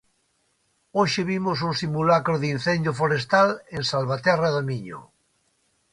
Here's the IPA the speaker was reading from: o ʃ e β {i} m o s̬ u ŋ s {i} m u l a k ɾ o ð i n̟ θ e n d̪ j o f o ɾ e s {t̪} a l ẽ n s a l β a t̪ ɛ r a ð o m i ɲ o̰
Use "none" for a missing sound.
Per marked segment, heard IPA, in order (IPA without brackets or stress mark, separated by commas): i, i, t̪